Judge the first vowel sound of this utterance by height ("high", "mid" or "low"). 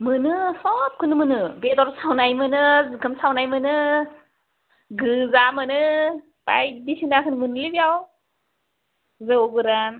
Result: high